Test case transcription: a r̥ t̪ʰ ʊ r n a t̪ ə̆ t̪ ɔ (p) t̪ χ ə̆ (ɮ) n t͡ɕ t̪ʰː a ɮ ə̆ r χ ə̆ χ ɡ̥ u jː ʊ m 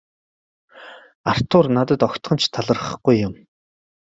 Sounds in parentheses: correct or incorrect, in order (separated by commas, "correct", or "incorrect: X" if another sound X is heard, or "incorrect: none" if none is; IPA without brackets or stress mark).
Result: incorrect: k, incorrect: none